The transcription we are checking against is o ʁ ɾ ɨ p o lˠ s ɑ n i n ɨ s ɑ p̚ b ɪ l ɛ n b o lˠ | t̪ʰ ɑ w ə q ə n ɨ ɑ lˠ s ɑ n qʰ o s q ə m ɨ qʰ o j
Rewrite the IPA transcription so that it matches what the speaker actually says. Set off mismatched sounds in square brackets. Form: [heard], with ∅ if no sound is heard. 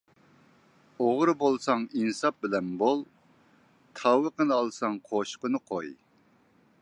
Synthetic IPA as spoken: o ʁ ɾ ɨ [b] o lˠ s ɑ [ŋ] i n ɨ s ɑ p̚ b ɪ l ɛ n b o lˠ | t̪ʰ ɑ w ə q ə n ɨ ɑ lˠ s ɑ [ŋ] qʰ o [ʃ] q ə [n] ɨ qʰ o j

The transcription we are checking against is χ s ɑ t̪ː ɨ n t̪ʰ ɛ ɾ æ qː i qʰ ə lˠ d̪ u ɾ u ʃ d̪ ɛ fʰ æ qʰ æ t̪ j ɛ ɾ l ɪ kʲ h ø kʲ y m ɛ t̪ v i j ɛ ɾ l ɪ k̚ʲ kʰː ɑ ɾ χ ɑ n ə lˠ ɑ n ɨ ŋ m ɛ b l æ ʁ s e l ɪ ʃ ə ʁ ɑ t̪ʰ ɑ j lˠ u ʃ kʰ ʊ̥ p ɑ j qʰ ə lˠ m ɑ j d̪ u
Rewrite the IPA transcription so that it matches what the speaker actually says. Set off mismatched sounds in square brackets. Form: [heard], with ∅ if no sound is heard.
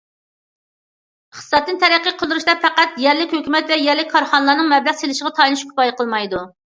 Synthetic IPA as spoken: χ s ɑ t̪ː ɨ n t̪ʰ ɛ ɾ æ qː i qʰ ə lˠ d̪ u ɾ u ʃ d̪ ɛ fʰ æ [q] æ t̪ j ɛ ɾ l ɪ kʲ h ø kʲ y m ɛ t̪ v [ɛ] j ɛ ɾ l ɪ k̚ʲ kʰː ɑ ɾ χ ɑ n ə lˠ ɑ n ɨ ŋ m ɛ b l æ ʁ s e l ɪ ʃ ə ʁ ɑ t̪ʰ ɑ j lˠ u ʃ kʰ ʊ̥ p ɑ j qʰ ə lˠ m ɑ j d̪ u

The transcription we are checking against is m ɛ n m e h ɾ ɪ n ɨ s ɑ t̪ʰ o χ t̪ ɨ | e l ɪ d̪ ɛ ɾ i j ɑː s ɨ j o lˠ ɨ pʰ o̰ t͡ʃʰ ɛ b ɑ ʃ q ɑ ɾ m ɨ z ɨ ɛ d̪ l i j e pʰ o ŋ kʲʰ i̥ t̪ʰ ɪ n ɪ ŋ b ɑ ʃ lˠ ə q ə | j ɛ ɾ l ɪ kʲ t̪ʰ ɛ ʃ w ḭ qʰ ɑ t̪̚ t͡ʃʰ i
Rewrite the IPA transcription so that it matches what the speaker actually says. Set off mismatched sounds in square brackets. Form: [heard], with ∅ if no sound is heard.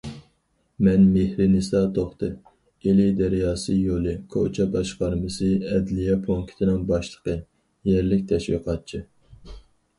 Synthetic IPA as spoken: m ɛ n m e h ɾ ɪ n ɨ s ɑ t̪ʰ o χ t̪ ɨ | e l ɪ d̪ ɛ ɾ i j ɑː s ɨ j o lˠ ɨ [kʰ] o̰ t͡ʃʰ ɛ b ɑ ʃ q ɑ ɾ m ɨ [s] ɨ ɛ d̪ l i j [ɛ] pʰ o ŋ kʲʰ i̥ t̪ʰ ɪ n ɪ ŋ b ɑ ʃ lˠ ə q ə | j ɛ ɾ l ɪ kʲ t̪ʰ ɛ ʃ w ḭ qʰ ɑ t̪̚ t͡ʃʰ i

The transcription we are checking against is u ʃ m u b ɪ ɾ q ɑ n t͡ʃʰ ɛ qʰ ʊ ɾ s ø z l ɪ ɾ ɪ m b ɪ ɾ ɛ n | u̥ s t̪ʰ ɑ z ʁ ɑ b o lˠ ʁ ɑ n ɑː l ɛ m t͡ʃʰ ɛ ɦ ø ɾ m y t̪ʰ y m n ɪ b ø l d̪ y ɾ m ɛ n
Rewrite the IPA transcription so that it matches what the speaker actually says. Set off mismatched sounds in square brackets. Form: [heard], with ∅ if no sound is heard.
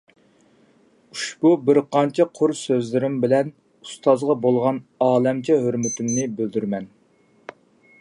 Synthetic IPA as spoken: u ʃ [b] u b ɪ ɾ q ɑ n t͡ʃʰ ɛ qʰ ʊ ɾ s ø z l ɪ ɾ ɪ m b ɪ [l] ɛ n | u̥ s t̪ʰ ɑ z ʁ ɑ b o lˠ ʁ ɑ n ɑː l ɛ m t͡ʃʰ ɛ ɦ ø ɾ m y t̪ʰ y m n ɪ b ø l d̪ y ɾ m ɛ n

